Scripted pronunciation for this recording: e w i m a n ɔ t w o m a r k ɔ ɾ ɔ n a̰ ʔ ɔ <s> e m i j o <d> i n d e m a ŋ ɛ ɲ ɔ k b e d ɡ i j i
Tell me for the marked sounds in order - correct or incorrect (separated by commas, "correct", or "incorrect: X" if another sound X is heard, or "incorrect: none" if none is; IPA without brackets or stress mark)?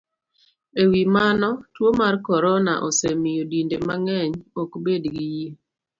correct, correct